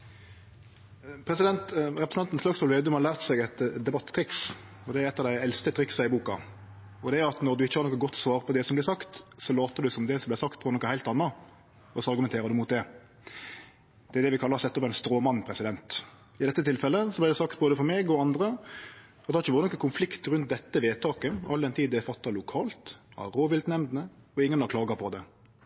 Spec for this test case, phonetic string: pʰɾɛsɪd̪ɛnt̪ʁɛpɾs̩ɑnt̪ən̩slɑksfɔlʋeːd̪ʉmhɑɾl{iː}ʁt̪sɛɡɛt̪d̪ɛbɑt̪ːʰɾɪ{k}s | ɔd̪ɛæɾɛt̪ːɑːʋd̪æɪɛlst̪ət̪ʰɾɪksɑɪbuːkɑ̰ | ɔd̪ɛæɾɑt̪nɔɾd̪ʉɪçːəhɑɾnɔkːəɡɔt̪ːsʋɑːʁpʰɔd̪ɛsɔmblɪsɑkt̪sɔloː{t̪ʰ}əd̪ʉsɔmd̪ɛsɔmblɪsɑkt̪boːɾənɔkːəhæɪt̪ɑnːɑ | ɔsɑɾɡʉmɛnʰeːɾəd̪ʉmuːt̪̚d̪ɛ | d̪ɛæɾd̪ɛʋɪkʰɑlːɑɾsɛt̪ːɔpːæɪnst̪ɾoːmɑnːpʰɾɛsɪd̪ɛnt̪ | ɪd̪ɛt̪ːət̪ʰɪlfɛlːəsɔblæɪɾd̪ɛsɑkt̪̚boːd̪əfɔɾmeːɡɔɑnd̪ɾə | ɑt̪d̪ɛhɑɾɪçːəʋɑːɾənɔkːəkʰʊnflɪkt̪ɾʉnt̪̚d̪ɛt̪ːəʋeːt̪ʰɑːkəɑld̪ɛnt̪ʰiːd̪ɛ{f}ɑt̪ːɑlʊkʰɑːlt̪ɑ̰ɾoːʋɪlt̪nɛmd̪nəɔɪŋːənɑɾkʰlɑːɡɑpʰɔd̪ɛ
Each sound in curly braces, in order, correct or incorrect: incorrect, correct, incorrect, correct

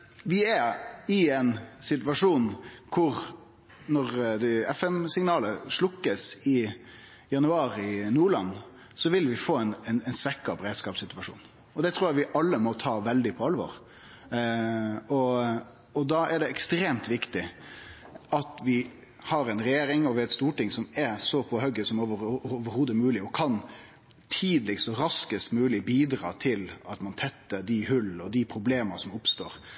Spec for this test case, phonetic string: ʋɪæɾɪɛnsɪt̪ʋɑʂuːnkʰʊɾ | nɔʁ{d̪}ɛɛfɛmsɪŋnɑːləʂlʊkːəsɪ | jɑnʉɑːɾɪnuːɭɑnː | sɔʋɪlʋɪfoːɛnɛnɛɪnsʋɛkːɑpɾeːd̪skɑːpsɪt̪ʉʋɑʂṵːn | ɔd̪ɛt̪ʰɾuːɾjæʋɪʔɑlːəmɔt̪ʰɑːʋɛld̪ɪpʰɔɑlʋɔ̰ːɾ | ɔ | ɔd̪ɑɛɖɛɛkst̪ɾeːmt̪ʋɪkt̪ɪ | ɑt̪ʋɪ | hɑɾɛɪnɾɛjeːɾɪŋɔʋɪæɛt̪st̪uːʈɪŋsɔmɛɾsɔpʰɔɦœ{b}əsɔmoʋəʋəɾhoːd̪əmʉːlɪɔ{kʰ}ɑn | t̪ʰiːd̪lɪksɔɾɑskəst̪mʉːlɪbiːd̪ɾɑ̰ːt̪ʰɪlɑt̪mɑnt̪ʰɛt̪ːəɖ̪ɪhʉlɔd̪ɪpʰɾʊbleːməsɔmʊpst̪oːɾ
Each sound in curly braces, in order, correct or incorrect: correct, incorrect, correct

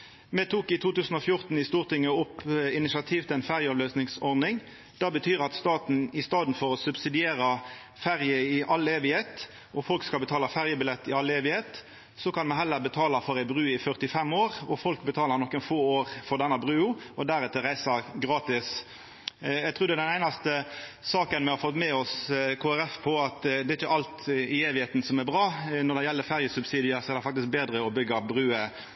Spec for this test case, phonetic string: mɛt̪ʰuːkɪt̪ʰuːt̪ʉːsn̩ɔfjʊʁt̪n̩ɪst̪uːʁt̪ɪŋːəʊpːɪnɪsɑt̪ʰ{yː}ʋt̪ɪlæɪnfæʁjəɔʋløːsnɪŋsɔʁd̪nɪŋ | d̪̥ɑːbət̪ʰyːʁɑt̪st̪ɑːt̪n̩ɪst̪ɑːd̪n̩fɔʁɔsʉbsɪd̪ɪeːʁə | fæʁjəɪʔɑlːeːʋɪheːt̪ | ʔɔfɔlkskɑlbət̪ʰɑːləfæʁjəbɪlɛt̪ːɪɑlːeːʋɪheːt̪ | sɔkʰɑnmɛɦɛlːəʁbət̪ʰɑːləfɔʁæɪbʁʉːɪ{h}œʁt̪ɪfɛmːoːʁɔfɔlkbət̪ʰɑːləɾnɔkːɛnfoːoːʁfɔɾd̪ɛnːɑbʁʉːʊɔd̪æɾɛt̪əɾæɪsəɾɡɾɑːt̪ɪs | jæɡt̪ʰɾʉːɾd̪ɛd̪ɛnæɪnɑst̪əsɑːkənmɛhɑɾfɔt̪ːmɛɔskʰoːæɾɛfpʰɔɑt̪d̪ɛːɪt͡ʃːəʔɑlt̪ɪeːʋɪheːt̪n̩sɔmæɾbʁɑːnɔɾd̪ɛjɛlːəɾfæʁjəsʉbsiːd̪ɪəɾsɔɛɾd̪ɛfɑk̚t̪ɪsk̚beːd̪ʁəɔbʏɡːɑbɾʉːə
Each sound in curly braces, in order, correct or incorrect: incorrect, incorrect

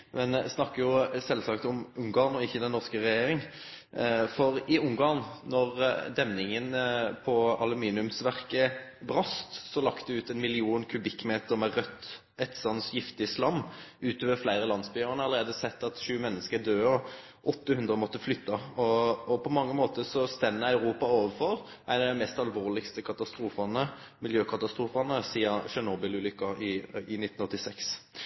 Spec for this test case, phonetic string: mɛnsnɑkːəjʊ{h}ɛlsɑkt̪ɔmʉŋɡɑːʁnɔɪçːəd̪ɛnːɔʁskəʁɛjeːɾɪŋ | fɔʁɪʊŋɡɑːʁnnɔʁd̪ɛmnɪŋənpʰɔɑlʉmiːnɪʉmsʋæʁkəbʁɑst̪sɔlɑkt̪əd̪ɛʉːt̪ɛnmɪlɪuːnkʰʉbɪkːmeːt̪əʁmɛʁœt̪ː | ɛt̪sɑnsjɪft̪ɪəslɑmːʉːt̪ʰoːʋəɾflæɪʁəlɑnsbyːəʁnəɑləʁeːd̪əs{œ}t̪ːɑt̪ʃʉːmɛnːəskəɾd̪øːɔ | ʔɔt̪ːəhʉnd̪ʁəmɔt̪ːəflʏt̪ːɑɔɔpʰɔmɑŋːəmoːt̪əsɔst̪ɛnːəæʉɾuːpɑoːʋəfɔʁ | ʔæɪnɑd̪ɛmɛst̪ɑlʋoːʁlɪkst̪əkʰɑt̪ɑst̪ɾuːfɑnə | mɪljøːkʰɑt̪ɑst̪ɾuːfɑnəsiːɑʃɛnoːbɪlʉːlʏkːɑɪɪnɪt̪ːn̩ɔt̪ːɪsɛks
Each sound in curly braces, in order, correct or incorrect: incorrect, incorrect

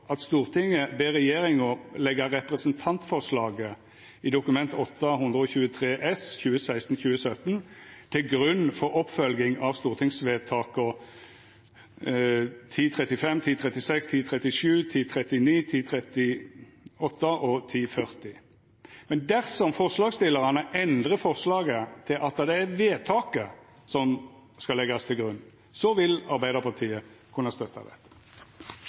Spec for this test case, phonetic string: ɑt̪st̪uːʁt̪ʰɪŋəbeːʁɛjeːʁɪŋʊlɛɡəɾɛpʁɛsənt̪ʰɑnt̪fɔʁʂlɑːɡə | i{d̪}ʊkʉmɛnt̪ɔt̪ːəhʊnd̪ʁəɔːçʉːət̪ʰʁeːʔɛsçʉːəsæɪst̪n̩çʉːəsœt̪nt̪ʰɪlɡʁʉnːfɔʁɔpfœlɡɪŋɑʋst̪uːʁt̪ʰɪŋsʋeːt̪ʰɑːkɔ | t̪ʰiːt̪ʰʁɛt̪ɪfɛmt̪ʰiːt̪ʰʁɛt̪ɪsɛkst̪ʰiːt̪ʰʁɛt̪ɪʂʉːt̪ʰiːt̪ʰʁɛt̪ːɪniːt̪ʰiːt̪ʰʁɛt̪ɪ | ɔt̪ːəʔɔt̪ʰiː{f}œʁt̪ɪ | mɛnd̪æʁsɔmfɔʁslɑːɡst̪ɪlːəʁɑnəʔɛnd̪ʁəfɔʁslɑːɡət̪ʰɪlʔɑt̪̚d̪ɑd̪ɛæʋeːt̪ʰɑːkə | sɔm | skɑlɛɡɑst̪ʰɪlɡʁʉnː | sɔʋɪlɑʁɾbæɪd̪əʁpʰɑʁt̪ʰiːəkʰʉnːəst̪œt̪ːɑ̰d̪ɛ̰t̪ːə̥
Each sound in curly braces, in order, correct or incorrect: correct, correct

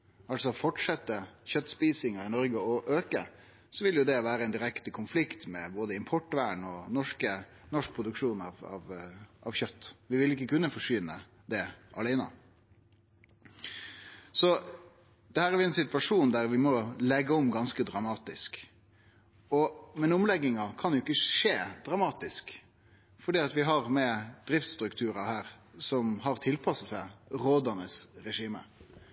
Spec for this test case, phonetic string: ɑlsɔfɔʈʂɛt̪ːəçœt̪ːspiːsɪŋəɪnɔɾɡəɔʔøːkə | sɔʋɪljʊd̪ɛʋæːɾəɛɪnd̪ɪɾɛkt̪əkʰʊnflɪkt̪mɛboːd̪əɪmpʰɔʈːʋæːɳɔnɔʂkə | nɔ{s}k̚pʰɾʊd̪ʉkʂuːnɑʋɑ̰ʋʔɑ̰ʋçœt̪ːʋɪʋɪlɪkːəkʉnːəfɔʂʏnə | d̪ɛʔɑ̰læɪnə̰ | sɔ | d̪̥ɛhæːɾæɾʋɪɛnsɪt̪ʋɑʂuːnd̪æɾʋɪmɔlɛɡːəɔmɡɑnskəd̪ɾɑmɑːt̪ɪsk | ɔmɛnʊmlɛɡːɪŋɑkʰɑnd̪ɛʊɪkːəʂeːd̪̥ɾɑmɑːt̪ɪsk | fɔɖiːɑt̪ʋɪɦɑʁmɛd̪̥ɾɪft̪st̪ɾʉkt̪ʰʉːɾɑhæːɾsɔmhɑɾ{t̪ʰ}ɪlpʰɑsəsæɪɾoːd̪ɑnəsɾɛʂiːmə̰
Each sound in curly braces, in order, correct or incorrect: incorrect, correct

